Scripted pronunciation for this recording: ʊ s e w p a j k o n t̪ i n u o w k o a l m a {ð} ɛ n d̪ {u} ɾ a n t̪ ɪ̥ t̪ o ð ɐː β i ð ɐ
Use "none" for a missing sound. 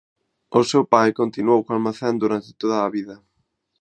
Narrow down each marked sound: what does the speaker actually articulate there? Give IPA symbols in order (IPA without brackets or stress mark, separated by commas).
θ, u